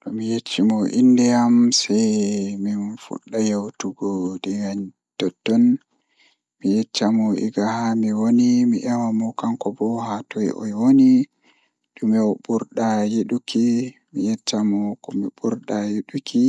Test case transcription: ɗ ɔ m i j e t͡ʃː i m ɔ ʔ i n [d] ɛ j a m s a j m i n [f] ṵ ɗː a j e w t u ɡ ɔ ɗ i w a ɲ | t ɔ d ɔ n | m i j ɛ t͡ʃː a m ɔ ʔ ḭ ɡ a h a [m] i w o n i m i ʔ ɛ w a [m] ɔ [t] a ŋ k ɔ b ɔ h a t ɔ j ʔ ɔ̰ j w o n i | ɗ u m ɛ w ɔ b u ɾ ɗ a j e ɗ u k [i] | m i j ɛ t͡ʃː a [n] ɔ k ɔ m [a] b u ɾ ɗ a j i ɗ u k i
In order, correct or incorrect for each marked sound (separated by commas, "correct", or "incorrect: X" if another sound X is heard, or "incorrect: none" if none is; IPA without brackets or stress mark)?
correct, correct, correct, correct, incorrect: k, correct, incorrect: m, incorrect: i